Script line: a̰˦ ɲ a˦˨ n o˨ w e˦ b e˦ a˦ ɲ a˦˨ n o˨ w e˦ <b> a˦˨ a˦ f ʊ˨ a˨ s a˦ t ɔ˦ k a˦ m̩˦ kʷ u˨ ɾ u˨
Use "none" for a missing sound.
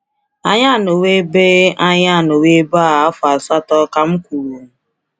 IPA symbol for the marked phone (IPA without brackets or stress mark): b